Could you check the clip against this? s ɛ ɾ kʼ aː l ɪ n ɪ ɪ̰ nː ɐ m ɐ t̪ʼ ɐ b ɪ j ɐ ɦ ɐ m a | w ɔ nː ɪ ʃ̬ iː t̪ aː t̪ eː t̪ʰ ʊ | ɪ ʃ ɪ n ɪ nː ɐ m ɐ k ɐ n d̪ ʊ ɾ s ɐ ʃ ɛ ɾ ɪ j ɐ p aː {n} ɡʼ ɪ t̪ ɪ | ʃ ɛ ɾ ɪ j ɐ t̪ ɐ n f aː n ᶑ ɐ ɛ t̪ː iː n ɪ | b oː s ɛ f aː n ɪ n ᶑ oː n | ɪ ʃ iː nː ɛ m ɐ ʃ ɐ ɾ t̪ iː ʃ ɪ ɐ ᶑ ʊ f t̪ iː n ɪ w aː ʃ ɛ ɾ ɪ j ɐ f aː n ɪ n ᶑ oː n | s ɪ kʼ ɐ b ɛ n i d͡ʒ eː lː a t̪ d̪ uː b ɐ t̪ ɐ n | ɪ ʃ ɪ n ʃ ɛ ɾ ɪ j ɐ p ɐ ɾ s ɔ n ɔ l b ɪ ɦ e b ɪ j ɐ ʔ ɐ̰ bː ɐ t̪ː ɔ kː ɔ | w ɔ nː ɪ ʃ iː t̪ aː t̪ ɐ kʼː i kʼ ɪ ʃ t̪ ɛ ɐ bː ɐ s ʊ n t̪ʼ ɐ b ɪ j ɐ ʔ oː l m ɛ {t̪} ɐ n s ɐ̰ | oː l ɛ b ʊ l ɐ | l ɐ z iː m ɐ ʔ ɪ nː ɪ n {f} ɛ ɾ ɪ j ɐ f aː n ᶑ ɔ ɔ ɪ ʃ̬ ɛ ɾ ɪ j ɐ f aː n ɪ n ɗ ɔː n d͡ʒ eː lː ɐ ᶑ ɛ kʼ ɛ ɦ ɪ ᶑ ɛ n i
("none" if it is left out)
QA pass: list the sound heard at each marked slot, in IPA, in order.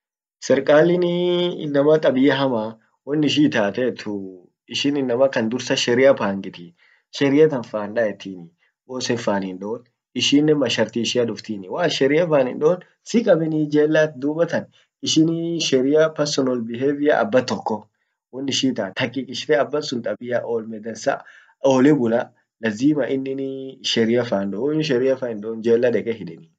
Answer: ŋ, d̪, ʃ

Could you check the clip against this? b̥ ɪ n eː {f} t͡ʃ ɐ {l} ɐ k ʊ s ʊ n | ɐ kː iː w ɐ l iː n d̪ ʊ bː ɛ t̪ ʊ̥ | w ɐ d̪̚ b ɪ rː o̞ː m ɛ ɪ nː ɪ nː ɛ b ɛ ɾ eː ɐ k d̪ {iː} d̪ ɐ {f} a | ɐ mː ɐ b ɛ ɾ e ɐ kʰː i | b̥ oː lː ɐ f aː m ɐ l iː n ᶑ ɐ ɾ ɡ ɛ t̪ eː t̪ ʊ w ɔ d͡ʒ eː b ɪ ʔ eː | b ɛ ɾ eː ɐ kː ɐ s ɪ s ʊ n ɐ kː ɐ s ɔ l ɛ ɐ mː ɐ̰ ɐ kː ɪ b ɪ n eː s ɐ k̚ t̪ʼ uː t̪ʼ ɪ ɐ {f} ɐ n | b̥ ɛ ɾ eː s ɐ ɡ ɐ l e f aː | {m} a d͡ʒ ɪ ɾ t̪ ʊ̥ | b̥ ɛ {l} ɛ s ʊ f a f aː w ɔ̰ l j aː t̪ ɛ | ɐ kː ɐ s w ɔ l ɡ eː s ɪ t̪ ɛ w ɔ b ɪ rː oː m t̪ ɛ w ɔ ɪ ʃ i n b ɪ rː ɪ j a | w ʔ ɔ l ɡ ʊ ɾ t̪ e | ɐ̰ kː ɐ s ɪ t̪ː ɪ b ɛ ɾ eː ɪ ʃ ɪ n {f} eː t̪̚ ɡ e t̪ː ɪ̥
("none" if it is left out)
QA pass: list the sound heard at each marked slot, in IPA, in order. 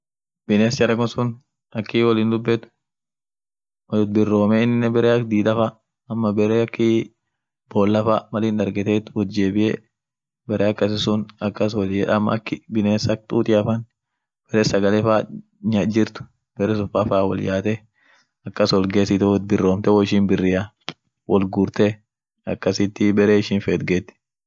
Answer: s, ɾ, iː, f, f, ɲ, ɾ, f

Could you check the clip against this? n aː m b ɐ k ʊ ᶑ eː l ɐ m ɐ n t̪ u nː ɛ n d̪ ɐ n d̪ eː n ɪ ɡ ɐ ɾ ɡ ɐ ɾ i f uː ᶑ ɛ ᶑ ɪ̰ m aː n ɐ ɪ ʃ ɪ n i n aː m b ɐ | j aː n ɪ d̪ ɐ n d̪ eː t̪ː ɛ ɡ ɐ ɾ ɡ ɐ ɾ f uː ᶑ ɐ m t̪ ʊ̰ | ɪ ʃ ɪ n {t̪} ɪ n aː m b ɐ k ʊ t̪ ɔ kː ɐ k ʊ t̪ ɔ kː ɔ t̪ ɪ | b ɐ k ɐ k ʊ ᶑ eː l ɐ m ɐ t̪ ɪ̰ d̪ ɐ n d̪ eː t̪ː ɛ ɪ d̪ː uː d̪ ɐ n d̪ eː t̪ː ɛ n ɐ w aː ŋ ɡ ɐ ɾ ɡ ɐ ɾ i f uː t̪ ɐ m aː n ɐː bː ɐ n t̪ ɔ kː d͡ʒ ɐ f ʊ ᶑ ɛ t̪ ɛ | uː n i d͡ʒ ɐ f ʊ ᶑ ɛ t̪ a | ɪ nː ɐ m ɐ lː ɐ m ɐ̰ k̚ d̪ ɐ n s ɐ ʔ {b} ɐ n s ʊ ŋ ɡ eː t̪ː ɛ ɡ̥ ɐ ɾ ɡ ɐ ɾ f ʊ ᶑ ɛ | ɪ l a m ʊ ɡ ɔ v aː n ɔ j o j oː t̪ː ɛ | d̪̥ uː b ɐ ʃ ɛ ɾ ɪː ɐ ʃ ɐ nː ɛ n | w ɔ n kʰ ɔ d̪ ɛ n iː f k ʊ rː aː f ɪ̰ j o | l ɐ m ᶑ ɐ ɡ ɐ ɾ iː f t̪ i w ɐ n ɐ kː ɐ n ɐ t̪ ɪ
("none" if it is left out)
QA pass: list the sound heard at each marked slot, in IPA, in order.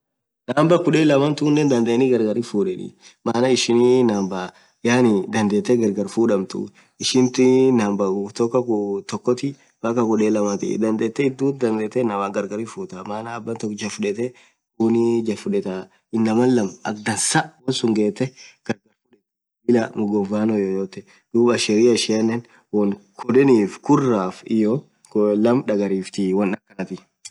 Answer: t̪, w

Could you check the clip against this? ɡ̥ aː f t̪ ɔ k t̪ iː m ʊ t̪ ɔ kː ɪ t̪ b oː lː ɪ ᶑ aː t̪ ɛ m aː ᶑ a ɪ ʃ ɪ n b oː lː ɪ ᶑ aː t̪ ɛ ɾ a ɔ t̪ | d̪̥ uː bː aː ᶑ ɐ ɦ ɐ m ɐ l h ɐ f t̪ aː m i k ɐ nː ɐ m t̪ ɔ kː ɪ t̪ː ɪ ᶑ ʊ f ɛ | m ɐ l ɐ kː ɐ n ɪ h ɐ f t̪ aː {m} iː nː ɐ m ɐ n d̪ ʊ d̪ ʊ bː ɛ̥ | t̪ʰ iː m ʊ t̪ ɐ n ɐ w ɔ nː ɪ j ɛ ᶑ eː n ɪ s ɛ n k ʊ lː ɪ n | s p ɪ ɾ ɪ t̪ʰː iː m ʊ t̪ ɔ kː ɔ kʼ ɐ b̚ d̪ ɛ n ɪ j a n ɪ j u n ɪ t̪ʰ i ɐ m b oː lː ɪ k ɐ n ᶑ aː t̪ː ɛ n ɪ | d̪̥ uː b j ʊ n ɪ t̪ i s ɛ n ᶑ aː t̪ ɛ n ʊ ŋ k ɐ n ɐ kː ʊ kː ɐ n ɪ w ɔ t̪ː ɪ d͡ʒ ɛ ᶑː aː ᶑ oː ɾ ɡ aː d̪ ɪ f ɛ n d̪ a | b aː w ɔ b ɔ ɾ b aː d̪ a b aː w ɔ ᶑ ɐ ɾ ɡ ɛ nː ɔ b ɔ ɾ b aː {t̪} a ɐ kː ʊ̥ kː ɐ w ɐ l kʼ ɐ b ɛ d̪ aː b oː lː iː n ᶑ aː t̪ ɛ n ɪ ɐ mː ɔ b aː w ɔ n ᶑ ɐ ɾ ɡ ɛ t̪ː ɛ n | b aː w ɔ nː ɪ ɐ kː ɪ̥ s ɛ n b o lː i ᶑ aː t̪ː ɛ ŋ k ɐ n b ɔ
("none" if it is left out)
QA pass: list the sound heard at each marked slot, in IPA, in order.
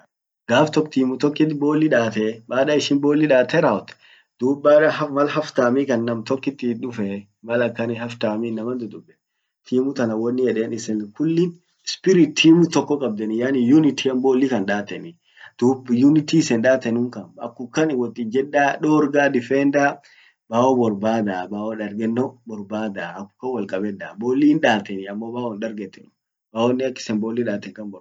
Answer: m, d̪

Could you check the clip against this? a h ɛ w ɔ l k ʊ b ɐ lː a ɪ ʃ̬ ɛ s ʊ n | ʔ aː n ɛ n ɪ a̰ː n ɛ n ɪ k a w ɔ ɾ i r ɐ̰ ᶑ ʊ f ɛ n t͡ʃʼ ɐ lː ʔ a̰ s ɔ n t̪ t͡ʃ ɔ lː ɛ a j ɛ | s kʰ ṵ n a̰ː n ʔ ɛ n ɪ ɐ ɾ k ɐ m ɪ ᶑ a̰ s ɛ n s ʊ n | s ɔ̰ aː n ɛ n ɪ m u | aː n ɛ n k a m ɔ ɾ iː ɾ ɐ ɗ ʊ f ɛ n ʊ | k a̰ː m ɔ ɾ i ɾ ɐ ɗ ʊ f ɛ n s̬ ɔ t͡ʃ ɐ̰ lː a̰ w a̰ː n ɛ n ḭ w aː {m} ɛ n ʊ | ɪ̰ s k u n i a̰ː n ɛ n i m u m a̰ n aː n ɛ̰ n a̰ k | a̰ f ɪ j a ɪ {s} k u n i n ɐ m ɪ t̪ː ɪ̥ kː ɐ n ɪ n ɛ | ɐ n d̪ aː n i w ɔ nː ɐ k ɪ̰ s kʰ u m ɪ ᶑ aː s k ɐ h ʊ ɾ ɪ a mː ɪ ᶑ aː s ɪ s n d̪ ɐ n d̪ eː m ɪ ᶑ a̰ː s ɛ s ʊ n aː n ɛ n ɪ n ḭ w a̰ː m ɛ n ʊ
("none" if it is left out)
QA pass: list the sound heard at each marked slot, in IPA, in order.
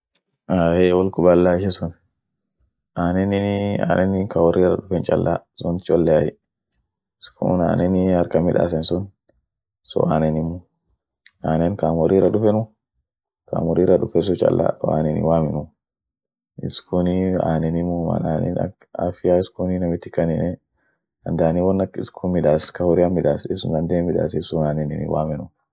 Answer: m, s

